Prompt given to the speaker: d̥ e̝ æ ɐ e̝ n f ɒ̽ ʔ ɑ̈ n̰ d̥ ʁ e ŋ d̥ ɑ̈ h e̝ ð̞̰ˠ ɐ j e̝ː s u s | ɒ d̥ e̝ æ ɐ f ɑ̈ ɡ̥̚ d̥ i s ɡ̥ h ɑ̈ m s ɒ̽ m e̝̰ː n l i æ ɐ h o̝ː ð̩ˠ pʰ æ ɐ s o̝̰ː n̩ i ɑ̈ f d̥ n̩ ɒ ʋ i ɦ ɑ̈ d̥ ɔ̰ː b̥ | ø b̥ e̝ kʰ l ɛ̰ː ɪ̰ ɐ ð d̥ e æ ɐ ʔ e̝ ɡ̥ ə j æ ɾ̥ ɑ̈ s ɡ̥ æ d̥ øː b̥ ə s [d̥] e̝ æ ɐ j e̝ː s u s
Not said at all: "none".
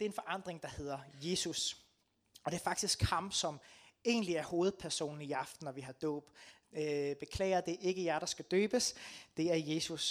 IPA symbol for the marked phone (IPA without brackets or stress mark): d̥